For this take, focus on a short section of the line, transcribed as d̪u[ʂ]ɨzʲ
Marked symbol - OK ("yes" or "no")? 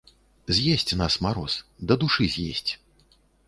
yes